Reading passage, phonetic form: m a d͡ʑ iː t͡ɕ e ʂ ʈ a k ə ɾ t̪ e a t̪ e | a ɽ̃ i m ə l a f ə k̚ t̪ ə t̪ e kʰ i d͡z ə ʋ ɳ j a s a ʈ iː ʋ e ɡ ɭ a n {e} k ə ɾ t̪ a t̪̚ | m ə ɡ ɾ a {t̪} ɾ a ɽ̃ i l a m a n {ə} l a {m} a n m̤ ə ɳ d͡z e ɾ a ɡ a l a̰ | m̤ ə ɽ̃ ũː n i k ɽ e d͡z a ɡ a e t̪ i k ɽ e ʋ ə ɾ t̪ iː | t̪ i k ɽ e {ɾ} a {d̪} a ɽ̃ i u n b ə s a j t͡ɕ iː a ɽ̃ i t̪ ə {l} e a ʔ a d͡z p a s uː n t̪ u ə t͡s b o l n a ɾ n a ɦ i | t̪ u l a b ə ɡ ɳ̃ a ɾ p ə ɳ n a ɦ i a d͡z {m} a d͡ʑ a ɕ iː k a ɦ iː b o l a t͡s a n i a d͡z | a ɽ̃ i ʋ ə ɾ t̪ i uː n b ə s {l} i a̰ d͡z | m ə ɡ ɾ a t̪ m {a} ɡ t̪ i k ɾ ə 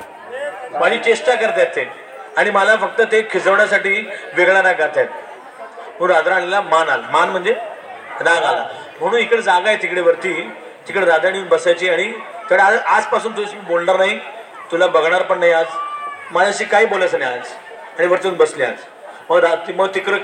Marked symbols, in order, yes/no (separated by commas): no, no, no, yes, yes, yes, no, yes, yes, no